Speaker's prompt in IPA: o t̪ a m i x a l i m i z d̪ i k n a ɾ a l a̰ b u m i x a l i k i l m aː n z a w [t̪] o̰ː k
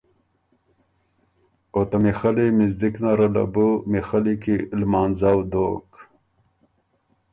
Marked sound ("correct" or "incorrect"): incorrect